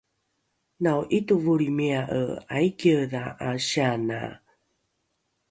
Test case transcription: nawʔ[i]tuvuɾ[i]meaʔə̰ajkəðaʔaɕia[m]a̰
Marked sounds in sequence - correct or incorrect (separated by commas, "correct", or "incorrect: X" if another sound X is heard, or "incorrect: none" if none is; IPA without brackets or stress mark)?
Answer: correct, correct, incorrect: n